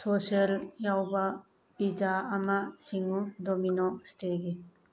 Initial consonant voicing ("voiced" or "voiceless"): voiceless